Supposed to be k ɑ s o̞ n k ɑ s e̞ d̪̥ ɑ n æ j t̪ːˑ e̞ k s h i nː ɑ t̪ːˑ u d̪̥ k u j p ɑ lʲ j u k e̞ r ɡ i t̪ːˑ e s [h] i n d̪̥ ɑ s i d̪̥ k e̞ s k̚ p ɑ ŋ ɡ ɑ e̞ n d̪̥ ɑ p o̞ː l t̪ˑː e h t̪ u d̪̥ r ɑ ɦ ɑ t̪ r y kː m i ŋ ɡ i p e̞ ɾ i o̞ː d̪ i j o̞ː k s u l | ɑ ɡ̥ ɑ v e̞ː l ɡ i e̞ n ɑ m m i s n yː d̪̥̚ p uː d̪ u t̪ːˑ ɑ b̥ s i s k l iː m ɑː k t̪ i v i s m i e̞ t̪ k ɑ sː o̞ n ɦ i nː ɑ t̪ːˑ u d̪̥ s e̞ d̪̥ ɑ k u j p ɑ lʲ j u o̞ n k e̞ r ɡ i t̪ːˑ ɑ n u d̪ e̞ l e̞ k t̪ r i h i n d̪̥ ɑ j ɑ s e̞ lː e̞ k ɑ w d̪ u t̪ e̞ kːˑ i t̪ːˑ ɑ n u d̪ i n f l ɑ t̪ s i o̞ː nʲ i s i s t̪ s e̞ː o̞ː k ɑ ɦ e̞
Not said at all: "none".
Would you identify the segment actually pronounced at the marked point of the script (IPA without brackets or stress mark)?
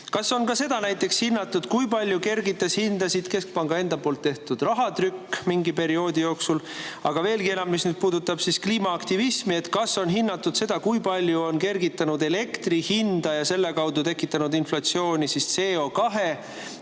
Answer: h